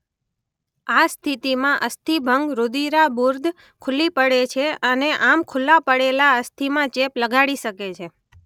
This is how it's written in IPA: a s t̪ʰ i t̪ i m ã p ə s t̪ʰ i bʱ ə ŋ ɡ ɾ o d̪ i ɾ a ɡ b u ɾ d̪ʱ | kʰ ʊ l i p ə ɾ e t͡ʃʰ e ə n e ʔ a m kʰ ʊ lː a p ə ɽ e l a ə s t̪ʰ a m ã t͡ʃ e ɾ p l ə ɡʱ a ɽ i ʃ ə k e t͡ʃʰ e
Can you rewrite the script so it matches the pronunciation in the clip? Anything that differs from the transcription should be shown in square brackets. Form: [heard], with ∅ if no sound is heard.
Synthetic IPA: a s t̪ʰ i t̪ i m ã [ʔ] ə s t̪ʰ i bʱ ə ŋ ɡ ɾ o d̪ i ɾ a [∅] b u ɾ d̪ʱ | kʰ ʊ l i p ə [ɽ] e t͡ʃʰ e ə n e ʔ a m kʰ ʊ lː a p ə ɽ e l a ə s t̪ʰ [i] m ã t͡ʃ e [∅] p l ə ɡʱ a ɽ i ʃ ə k e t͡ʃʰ e